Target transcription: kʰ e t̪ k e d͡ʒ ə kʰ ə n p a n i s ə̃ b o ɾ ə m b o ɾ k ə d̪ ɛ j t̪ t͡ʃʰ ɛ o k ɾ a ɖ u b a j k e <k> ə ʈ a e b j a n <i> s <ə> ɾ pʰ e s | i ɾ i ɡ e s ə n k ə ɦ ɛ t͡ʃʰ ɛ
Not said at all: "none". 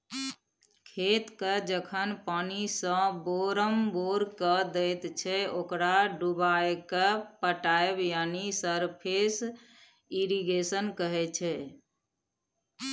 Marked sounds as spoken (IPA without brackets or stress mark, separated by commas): p, i, ə